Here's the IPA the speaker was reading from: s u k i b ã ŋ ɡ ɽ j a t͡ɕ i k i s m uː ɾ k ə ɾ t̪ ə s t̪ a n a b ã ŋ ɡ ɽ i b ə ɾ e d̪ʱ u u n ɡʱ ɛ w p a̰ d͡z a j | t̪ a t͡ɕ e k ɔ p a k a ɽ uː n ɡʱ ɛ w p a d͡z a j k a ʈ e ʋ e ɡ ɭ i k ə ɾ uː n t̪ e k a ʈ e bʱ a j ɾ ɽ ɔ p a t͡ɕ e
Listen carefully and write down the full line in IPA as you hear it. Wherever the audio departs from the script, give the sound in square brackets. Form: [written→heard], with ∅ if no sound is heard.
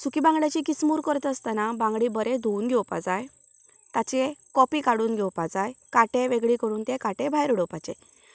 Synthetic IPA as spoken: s u k i b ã ŋ ɡ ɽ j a t͡ɕ i k i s m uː ɾ k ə ɾ t̪ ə s t̪ a n a b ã ŋ ɡ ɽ i b ə ɾ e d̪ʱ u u n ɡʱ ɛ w p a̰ d͡z a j | t̪ a t͡ɕ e k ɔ p [a→i] k a ɽ uː n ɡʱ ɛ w p a d͡z a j k a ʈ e ʋ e ɡ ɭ i k ə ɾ uː n t̪ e k a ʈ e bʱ a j ɾ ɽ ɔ p a t͡ɕ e